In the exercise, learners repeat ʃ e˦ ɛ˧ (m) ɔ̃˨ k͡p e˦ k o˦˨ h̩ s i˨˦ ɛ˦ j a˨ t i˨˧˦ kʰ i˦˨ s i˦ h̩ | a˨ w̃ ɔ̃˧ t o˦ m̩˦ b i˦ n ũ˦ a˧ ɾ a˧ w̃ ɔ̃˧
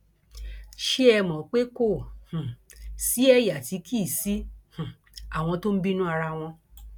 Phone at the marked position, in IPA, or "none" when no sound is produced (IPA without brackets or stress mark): m